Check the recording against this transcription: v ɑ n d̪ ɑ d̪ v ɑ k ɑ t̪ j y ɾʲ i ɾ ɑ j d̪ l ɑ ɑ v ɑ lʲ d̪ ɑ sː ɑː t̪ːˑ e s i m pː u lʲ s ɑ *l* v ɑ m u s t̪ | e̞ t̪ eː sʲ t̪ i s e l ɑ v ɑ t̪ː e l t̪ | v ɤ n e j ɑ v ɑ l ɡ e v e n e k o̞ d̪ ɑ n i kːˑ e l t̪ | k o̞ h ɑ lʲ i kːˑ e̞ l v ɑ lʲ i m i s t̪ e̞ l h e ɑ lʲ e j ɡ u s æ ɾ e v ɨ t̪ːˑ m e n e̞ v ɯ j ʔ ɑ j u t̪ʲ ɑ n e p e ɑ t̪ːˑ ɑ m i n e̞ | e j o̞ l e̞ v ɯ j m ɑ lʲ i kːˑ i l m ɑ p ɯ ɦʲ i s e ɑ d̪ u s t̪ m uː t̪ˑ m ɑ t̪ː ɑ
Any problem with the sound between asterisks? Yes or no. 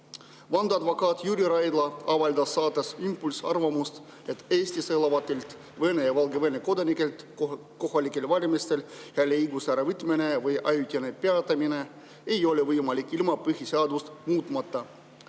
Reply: yes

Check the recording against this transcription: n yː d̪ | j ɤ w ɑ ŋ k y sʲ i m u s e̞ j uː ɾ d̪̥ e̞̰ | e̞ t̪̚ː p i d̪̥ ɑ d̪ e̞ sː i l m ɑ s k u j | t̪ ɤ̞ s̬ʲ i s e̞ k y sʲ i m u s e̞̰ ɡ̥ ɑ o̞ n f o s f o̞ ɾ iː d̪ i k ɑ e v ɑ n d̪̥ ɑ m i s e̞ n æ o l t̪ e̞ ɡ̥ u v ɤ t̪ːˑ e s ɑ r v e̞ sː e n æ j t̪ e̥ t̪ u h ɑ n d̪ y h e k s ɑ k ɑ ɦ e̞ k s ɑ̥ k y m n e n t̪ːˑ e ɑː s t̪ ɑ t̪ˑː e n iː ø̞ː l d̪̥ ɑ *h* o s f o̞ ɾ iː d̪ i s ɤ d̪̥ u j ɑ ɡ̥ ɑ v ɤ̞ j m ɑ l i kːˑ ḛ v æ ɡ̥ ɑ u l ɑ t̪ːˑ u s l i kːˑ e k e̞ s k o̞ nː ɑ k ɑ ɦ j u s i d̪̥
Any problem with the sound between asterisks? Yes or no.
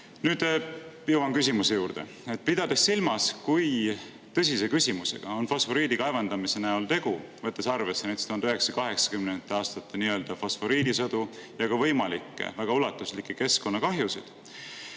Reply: yes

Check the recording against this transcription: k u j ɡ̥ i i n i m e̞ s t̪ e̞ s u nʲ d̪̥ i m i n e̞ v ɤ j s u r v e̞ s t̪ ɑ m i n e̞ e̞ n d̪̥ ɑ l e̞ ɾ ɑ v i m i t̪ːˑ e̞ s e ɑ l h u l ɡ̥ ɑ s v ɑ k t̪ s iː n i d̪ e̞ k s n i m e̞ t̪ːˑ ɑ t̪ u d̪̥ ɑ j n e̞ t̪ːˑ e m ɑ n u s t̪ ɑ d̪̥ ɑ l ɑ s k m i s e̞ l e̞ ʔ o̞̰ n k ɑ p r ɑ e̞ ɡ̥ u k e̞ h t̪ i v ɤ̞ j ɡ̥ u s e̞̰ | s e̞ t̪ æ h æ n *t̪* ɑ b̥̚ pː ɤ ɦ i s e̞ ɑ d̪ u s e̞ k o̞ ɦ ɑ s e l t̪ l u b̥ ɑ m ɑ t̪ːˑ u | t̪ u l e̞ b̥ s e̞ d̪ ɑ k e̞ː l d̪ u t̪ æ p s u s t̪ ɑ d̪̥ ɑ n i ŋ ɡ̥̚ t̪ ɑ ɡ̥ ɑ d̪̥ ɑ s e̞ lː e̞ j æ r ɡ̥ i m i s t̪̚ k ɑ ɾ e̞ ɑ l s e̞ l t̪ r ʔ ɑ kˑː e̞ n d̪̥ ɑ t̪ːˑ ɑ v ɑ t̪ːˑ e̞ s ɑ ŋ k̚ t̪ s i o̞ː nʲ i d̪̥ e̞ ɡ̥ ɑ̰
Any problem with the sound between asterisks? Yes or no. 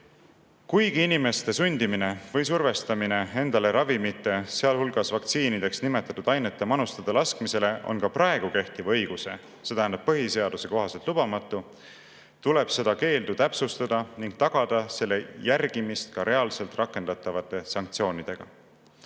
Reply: yes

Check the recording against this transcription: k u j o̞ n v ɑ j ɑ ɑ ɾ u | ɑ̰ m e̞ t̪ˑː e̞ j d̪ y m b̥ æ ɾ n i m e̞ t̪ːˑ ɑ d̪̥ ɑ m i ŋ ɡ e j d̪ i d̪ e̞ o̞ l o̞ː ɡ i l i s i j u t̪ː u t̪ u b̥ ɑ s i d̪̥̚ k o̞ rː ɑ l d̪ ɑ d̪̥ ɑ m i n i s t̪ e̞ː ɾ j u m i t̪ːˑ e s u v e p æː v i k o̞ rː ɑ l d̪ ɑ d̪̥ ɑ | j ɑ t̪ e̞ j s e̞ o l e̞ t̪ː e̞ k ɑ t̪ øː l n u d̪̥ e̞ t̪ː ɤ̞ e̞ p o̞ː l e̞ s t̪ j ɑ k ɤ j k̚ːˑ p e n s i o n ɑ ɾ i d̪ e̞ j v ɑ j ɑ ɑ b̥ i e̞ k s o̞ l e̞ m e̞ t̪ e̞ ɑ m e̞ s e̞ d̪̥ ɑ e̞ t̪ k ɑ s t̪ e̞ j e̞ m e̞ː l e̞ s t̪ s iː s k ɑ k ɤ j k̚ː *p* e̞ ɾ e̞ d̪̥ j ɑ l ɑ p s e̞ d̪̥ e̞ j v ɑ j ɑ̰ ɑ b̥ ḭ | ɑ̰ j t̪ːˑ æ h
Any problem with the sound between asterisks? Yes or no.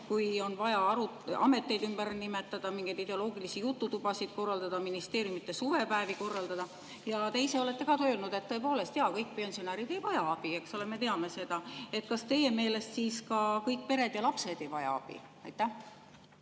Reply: no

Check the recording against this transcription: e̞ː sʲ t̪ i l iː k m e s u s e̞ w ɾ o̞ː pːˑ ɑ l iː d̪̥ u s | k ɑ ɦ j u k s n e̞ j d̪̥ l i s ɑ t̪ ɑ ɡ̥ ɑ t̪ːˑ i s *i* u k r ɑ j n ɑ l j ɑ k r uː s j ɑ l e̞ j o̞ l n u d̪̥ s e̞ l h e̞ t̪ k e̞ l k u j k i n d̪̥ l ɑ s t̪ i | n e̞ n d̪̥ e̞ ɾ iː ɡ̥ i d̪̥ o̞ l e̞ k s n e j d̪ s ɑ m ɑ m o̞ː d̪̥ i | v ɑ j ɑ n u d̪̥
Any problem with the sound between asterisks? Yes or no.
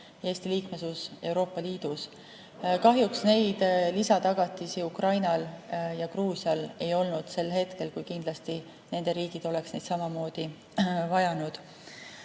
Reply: no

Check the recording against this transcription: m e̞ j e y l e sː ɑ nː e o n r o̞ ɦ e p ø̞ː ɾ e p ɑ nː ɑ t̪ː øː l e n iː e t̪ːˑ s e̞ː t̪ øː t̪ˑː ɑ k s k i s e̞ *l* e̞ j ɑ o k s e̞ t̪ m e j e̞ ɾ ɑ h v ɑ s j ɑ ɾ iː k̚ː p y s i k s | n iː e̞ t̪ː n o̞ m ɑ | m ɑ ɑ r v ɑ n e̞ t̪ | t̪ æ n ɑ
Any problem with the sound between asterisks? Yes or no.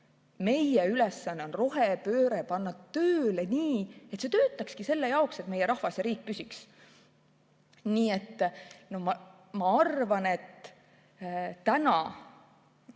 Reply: yes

